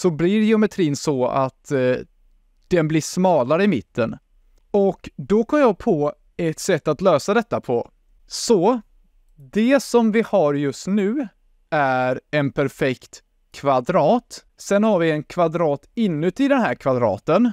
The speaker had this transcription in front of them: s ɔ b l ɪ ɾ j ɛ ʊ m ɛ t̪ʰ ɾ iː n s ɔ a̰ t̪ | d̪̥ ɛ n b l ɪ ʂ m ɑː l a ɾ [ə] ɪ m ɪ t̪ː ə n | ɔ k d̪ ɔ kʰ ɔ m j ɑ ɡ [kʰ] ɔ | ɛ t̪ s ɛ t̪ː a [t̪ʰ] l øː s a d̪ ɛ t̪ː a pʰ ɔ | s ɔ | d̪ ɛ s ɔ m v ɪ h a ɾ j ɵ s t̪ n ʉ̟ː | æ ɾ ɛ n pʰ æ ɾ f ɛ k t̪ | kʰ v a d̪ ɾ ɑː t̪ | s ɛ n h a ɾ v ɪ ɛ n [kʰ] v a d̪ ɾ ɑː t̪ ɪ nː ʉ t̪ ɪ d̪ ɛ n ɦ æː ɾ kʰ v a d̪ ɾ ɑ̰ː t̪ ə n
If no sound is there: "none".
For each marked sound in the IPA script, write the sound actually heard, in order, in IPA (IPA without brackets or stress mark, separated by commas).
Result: ə, pʰ, t̪, kʰ